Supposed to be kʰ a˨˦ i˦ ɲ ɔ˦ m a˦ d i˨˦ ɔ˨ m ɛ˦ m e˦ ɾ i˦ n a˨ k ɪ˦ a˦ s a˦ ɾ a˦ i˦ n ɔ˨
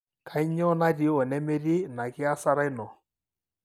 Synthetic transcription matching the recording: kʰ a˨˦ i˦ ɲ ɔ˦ n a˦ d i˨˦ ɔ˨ n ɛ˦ m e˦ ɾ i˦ n a˨ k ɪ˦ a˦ s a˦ ɾ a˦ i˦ n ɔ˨